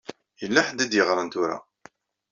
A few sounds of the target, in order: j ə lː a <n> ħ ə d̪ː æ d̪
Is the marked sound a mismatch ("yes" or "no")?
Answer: yes